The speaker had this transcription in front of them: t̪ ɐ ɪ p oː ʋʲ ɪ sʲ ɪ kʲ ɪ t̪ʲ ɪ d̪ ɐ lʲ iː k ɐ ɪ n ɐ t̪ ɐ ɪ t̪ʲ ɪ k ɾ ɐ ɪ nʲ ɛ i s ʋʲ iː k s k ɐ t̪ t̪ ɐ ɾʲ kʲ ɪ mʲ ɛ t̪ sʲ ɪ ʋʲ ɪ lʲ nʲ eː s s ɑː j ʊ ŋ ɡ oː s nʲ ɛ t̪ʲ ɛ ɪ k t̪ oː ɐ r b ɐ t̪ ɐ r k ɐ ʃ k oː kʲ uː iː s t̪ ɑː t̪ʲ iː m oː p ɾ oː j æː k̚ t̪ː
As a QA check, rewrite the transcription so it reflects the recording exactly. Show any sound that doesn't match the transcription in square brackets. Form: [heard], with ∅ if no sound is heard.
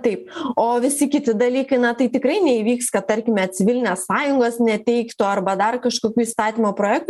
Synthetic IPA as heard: t̪ ɐ ɪ p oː ʋʲ ɪ sʲ ɪ kʲ ɪ t̪ʲ ɪ d̪ ɐ lʲ iː k ɐ ɪ n ɐ t̪ ɐ ɪ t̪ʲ ɪ k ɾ ɐ ɪ nʲ ɛ i [∅] ʋʲ iː k s k ɐ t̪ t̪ ɐ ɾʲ kʲ ɪ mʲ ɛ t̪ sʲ ɪ ʋʲ ɪ lʲ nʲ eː s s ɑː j ʊ ŋ ɡ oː s nʲ ɛ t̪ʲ ɛ ɪ k t̪ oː ɐ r b ɐ [d̪] ɐ r k ɐ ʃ k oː kʲ uː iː s t̪ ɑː t̪ʲ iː m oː p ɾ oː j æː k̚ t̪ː